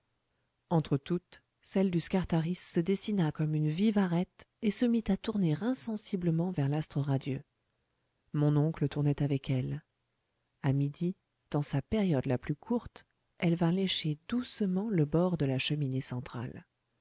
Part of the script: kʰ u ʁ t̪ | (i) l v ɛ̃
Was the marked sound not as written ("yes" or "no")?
yes